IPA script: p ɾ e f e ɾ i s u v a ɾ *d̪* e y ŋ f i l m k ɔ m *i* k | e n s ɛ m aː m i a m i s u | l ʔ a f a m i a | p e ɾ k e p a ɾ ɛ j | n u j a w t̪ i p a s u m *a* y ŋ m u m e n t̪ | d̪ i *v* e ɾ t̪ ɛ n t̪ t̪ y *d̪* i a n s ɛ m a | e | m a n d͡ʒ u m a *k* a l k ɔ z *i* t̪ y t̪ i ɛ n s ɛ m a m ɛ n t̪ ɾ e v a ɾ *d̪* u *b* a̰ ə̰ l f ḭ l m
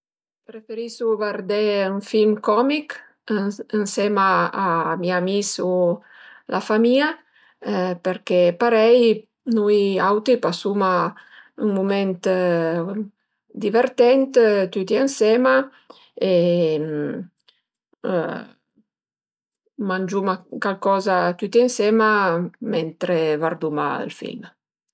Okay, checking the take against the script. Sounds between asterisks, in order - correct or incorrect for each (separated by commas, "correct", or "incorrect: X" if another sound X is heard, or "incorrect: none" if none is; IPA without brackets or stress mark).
correct, correct, correct, correct, incorrect: t̪, correct, incorrect: a, correct, incorrect: m